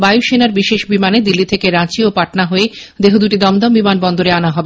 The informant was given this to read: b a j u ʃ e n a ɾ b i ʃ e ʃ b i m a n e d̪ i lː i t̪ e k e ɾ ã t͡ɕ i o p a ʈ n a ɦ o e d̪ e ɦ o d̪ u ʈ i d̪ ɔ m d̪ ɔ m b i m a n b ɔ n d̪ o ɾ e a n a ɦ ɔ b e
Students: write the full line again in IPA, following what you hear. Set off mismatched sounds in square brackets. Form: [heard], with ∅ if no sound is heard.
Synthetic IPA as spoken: b a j u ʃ e n a ɾ b i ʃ e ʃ b i m a n e d̪ i lː i [t̪ʰ] e k e ɾ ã t͡ɕ i o p a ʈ n a ɦ o e d̪ e ɦ o d̪ u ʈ i d̪ ɔ m d̪ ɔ m b i m a n b ɔ n d̪ o ɾ e a n a ɦ ɔ b e